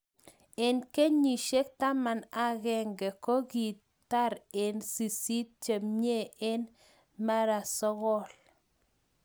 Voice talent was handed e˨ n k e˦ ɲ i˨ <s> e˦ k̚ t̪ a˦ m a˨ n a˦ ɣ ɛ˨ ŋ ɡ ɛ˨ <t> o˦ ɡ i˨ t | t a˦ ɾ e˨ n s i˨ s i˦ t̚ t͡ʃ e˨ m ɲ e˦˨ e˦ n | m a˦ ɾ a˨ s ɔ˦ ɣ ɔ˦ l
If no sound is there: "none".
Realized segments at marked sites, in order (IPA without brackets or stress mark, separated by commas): ʃ, k